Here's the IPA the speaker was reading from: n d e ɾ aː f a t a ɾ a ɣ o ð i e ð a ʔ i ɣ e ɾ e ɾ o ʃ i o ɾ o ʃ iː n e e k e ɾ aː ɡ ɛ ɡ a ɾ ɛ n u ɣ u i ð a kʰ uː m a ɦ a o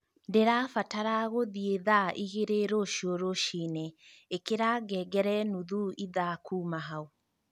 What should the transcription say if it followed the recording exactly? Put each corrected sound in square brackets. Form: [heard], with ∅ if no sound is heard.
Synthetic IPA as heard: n d e ɾ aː f a t a ɾ a ɣ o ð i e ð a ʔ i ɣ e ɾ e ɾ o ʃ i o ɾ o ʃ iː n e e k e ɾ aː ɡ ɛ ɡ [ɛ] ɾ ɛ n u [ð] u i ð a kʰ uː m a ɦ a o